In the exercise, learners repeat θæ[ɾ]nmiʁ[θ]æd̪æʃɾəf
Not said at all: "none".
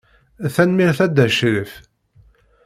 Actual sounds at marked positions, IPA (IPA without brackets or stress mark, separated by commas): none, θ